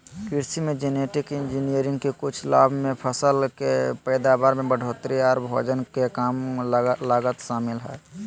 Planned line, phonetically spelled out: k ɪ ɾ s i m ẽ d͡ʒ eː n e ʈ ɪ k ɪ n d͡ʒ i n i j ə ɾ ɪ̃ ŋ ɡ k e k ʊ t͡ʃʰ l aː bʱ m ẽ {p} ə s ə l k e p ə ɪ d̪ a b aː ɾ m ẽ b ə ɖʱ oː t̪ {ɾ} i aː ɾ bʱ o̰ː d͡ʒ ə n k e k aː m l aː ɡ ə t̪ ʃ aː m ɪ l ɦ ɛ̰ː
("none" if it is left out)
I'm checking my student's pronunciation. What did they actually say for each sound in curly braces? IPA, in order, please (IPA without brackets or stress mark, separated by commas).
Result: pʰ, ɾ